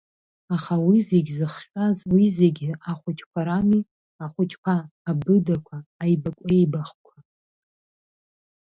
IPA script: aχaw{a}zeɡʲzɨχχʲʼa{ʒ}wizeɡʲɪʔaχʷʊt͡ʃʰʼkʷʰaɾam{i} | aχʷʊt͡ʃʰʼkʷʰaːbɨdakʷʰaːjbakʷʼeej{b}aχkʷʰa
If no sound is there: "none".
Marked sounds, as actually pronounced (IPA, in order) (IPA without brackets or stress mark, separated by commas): i, z, i, b